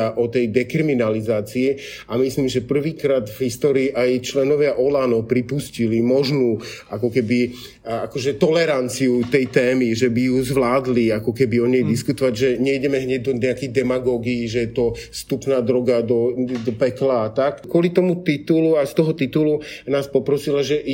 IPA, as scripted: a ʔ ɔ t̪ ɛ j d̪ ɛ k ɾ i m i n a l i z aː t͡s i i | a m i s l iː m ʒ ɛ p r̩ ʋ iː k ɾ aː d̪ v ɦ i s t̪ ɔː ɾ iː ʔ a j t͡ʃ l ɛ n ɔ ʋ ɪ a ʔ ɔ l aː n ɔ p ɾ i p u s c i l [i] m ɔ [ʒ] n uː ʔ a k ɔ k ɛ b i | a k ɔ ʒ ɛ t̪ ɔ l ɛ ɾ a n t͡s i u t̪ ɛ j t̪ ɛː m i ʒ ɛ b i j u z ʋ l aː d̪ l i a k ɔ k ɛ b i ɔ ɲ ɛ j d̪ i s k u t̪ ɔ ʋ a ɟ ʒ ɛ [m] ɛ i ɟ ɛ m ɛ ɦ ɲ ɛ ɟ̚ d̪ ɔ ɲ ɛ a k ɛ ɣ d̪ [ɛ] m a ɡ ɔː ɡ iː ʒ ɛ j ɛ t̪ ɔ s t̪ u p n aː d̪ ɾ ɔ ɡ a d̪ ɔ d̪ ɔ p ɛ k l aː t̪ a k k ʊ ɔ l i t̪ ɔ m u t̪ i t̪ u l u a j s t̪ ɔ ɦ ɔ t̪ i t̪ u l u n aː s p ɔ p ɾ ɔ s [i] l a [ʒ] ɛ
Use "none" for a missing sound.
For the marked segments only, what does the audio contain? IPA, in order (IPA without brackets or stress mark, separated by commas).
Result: i, ʒ, ɲ, ɛ, i, ʒ